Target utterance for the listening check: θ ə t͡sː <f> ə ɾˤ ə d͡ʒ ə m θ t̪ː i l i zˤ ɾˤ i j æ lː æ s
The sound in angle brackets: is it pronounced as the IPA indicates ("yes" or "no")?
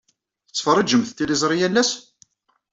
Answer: yes